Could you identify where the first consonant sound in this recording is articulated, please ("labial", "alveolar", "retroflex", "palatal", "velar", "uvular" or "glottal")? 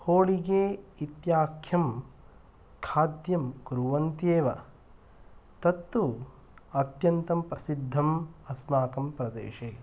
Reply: glottal